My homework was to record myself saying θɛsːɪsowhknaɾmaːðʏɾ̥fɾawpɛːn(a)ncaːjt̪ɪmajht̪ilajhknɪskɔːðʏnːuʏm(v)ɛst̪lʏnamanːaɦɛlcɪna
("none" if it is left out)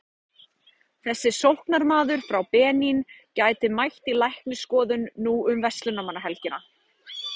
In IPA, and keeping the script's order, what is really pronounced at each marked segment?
i, v

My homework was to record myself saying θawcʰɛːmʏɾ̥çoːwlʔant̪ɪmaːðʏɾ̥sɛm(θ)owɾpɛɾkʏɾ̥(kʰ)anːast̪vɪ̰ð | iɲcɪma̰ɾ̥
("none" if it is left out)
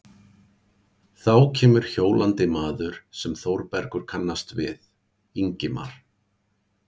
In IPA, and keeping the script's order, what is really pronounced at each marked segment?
θ, kʰ

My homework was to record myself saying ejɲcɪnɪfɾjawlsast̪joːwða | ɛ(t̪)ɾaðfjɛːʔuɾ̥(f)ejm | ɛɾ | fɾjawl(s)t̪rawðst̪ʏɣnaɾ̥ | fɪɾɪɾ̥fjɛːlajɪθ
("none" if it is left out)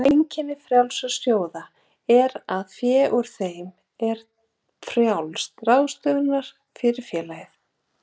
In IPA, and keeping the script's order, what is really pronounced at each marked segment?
none, θ, s

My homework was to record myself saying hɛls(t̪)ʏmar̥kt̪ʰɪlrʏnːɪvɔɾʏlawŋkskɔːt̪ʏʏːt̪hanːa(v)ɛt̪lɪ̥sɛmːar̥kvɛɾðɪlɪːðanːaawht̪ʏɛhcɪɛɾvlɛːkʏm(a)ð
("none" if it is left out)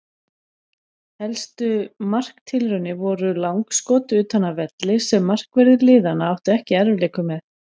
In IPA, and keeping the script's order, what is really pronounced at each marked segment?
t̪, v, ɛ

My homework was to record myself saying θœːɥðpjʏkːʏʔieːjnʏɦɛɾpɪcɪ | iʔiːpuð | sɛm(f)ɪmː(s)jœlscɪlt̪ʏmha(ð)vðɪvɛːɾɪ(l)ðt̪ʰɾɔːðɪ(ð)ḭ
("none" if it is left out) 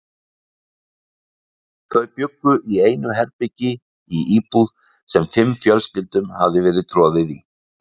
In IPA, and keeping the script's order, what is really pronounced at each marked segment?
f, f, none, none, ð

